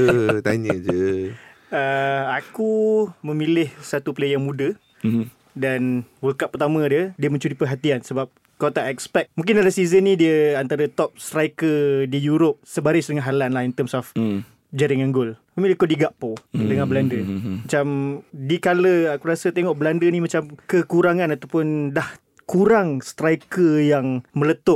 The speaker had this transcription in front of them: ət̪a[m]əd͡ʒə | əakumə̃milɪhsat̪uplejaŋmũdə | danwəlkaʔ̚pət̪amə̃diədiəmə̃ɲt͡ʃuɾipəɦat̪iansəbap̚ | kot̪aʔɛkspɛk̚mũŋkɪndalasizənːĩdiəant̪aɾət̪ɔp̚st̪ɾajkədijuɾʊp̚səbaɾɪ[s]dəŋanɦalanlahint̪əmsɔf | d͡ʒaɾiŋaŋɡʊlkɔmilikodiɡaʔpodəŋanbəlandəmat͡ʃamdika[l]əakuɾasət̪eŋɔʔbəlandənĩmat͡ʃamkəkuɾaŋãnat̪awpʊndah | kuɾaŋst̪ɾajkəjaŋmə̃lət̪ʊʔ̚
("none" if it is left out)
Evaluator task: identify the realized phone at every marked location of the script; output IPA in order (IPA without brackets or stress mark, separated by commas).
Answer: ɲ, s, l